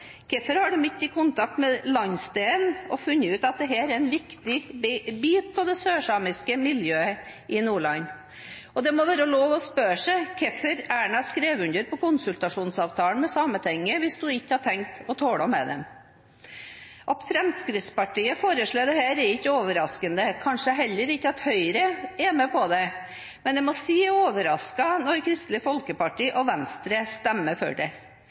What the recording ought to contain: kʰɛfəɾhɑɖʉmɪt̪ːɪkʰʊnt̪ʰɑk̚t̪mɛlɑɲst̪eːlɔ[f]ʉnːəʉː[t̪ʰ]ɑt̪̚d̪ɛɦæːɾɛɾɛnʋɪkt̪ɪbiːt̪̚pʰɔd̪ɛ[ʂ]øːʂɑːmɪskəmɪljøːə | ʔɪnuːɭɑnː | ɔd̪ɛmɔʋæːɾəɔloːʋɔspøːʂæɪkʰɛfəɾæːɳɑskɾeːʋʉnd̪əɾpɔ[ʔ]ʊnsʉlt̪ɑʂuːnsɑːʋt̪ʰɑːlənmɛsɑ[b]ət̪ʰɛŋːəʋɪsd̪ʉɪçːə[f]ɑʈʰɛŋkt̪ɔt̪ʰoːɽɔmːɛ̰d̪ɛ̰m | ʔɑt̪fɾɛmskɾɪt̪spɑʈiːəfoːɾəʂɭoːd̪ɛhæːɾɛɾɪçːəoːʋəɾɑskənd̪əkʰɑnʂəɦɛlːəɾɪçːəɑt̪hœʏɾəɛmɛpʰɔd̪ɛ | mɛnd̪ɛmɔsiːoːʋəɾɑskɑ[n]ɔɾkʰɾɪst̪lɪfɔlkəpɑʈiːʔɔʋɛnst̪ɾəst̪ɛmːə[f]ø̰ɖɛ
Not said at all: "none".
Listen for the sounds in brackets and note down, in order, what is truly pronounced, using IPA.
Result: f, t̪, s, k, m, h, n, f

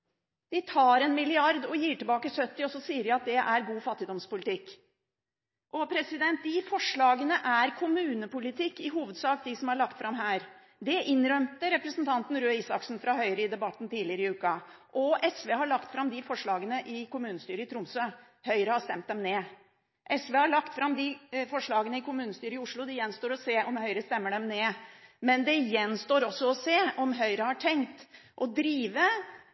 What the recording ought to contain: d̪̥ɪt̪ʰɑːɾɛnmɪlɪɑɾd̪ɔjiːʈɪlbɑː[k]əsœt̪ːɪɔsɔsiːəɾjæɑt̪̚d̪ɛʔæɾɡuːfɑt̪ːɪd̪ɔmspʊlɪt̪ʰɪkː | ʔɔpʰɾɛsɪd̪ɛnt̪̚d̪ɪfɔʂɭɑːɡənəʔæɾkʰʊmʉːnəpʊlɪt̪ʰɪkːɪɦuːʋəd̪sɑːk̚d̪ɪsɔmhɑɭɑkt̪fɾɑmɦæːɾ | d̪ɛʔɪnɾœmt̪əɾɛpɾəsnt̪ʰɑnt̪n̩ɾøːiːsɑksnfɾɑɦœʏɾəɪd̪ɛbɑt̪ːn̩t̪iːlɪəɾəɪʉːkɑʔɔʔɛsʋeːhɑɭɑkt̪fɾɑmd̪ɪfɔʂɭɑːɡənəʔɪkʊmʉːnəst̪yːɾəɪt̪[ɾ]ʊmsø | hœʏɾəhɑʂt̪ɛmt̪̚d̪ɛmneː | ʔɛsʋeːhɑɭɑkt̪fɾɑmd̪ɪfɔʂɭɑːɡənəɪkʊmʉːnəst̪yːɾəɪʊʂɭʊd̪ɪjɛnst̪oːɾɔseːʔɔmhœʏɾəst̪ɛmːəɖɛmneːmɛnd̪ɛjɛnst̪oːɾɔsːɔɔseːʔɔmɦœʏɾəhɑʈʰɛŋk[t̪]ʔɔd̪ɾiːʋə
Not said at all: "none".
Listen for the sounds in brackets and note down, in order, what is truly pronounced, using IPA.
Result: k, ɾ, t̪

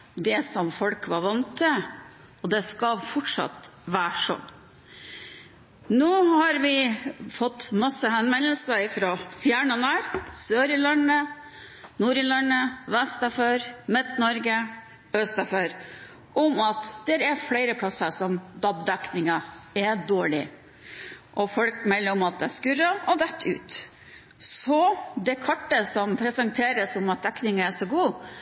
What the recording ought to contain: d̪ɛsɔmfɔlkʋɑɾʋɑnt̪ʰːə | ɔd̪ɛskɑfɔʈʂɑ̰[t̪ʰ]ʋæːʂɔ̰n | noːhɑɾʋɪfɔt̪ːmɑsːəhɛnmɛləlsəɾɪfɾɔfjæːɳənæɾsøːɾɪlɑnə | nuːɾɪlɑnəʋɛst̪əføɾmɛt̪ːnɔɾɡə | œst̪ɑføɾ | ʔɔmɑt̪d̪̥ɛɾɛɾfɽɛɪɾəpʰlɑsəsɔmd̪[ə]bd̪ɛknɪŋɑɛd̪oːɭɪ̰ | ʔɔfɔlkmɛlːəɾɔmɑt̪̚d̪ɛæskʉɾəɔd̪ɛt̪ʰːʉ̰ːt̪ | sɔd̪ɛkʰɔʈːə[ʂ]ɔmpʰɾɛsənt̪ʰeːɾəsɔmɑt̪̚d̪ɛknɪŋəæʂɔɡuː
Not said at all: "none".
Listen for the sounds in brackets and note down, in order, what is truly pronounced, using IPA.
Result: t̪, ɑ, s

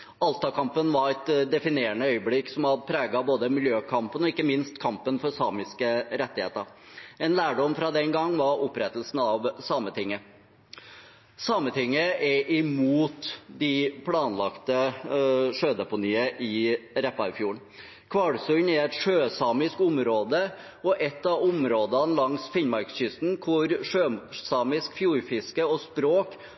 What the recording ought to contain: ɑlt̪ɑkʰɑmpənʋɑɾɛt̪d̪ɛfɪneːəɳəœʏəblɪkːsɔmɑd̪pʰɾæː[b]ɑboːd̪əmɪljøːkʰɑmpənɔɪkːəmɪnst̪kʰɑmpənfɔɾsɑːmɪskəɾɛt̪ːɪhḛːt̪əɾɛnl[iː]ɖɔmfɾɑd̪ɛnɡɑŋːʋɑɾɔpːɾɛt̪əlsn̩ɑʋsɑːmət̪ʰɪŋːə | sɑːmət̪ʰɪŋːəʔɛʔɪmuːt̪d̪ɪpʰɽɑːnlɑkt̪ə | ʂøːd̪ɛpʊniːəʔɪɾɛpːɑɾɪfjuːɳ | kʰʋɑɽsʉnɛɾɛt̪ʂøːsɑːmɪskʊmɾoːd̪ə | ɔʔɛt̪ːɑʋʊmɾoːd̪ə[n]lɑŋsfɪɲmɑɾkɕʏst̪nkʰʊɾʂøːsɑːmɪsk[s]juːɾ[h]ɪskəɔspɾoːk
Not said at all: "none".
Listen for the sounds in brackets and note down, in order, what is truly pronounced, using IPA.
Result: ɡ, æː, n, f, f

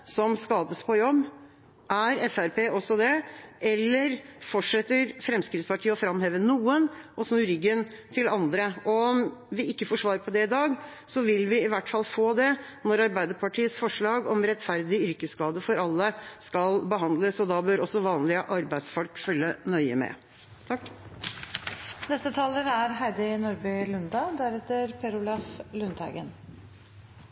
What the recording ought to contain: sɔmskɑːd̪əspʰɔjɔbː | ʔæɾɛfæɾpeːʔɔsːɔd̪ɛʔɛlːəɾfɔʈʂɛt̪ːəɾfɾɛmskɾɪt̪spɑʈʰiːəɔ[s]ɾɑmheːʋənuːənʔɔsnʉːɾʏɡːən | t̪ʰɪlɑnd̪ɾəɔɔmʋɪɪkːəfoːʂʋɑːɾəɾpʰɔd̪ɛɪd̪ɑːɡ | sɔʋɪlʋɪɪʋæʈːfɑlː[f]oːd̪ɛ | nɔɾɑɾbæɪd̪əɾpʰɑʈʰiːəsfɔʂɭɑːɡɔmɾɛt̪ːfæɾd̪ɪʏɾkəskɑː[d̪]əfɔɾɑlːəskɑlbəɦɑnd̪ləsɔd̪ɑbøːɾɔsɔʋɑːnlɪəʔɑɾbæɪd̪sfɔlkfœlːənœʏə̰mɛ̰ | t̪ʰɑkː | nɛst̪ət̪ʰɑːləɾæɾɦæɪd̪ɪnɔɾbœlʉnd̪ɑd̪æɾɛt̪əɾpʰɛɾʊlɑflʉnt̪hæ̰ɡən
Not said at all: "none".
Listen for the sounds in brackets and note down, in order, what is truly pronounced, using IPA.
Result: f, f, d̪

